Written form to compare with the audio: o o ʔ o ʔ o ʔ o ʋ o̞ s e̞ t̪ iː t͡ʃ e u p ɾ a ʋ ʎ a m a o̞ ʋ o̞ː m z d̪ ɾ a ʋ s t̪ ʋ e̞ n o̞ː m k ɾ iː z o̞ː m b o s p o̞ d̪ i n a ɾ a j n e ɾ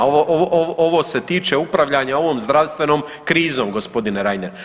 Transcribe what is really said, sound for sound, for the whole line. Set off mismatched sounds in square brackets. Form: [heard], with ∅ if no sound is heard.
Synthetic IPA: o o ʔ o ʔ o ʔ o ʋ o̞ s e̞ t̪ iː t͡ʃ e u p ɾ a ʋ ʎ a [ɲ] a o̞ ʋ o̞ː m z d̪ ɾ a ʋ s t̪ ʋ e̞ n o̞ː m k ɾ iː z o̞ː m [ɡ] o s p o̞ d̪ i n [e] ɾ a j n e ɾ